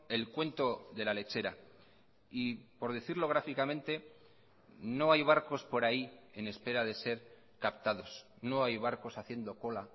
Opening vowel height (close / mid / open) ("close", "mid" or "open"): mid